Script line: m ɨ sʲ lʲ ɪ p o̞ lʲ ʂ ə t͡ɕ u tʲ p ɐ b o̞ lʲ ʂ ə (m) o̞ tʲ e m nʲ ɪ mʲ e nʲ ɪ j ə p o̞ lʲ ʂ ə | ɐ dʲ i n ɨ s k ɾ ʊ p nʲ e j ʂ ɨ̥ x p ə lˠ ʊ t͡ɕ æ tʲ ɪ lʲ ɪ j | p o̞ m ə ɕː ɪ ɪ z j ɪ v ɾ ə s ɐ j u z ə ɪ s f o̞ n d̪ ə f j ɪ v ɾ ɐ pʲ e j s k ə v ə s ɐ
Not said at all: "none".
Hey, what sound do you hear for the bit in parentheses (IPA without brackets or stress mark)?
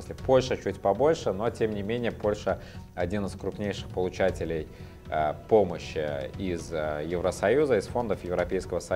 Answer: n